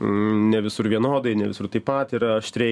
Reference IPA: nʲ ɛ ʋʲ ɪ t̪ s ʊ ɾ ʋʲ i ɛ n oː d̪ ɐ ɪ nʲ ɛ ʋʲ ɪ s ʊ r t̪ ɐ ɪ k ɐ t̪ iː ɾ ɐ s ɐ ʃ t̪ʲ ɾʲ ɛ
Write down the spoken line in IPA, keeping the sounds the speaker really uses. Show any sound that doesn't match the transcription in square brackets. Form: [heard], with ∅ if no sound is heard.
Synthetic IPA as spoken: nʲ ɛ ʋʲ ɪ [∅] s ʊ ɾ ʋʲ i ɛ n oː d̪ ɐ ɪ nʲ ɛ ʋʲ ɪ s ʊ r t̪ ɐ ɪ [p] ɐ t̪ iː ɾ ɐ [∅] ɐ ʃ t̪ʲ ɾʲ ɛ

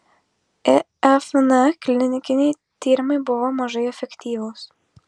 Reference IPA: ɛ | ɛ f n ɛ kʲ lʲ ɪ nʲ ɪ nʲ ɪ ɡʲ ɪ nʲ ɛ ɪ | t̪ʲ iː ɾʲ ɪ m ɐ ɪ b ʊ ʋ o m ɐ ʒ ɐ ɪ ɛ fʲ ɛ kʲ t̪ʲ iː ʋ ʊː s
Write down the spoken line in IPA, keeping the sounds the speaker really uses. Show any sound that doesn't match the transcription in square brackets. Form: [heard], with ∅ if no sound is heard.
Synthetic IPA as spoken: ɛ | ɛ f n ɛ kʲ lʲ ɪ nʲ ɪ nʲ ɪ [kʲ] ɪ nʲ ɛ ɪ | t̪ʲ iː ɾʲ ɪ m ɐ ɪ b ʊ ʋ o m ɐ ʒ ɐ ɪ ɛ fʲ ɛ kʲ t̪ʲ iː ʋ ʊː s

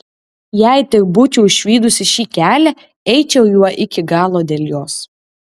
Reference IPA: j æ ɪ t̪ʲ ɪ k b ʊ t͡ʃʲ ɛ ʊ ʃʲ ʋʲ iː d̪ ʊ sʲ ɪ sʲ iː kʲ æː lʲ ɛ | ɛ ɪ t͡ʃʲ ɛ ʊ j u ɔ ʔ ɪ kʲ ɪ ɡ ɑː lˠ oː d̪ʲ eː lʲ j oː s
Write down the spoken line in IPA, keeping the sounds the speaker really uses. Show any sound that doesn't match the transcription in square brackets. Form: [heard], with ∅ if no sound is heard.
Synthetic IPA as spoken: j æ ɪ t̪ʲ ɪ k b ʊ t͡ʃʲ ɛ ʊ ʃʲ ʋʲ iː d̪ ʊ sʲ ɪ [ʃʲ] iː kʲ æː lʲ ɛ | ɛ ɪ t͡ʃʲ ɛ ʊ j u ɔ ʔ ɪ kʲ ɪ ɡ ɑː lˠ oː d̪ʲ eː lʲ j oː s

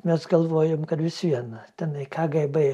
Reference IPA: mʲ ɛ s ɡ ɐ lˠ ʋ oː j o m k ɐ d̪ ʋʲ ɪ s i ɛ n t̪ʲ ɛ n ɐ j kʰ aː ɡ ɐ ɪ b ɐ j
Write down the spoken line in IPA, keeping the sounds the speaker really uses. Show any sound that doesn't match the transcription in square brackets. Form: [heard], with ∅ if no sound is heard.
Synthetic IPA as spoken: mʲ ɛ s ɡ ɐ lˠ ʋ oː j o m k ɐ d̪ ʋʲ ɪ s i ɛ n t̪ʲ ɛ n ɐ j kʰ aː ɡ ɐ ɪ b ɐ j

